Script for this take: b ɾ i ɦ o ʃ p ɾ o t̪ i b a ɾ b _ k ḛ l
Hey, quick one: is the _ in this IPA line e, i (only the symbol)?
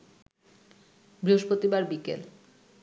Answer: i